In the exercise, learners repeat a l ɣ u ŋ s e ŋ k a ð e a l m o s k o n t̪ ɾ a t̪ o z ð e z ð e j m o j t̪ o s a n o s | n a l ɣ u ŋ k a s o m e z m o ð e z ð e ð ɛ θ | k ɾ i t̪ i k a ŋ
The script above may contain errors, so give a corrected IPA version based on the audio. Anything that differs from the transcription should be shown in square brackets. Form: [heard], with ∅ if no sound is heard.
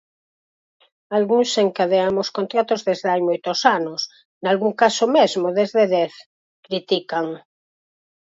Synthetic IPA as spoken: a l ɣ u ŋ s e ŋ k a ð e a [∅] m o s k o n t̪ ɾ a t̪ o z ð e z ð [a] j m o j t̪ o s a n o s | n a l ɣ u ŋ k a s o m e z m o ð e z ð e ð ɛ θ | k ɾ i t̪ i k a ŋ